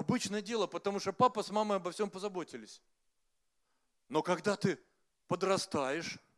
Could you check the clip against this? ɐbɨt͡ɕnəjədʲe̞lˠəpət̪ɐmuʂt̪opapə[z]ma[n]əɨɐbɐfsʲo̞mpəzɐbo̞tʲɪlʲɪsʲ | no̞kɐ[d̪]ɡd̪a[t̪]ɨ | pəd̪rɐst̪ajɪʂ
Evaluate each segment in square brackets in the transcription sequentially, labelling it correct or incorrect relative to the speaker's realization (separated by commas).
incorrect, incorrect, incorrect, correct